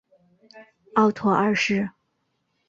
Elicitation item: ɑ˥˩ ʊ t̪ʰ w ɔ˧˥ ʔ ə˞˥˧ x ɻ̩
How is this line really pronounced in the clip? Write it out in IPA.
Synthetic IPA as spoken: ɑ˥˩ ʊ t̪ʰ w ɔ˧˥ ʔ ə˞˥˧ ʂ ɻ̩